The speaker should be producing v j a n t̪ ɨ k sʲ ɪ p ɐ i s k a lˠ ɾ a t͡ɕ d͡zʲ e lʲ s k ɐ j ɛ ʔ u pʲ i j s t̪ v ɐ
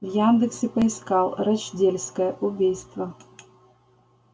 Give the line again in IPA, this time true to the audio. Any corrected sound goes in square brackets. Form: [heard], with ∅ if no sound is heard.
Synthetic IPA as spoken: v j a n [d̪] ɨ k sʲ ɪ p ɐ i s k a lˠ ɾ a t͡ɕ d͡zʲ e lʲ s k ɐ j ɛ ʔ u [bʲ] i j s t̪ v ɐ